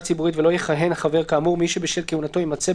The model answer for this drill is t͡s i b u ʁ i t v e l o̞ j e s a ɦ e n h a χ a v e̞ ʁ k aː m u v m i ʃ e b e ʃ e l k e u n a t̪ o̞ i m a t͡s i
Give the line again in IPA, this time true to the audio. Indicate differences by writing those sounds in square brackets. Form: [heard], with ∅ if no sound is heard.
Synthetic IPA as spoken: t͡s i b u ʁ i t v e l o̞ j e [χ] a ɦ e n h a χ a v e̞ ʁ k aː m u [ʁ] m i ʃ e b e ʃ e l k e u n a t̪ o̞ i m a t͡s [e]